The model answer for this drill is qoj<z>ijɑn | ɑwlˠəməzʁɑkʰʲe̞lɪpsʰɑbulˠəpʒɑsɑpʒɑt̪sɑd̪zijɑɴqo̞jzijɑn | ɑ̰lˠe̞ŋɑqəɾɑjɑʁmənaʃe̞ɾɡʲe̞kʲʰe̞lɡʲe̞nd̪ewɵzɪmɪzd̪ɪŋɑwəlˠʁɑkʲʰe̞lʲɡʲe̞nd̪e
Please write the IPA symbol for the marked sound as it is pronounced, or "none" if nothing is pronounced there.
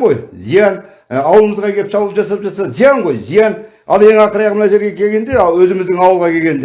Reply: z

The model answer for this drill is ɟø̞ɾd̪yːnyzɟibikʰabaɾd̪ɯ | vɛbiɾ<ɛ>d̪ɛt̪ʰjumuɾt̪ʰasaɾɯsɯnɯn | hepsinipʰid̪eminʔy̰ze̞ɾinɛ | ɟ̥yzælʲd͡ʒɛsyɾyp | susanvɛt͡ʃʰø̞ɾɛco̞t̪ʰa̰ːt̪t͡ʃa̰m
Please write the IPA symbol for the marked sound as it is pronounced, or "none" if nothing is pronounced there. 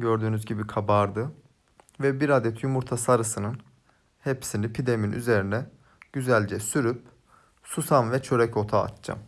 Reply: a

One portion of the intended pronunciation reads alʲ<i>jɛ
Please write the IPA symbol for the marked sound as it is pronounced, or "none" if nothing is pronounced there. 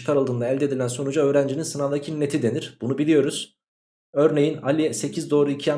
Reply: i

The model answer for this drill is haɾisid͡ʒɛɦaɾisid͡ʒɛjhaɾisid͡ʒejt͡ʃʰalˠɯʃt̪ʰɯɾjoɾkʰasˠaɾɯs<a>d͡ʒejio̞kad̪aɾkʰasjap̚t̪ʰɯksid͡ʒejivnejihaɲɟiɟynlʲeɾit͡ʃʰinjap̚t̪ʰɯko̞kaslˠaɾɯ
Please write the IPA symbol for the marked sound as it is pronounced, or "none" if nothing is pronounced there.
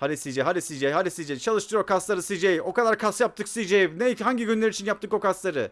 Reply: i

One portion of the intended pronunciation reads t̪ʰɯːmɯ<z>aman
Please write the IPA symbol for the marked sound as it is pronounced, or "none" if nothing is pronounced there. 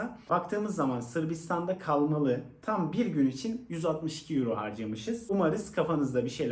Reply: zː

